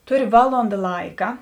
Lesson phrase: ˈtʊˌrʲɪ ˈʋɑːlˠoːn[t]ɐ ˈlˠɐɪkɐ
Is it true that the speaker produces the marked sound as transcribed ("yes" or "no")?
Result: no